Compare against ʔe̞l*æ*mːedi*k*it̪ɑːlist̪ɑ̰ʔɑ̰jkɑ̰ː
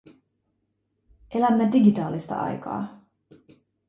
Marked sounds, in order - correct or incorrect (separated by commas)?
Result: correct, incorrect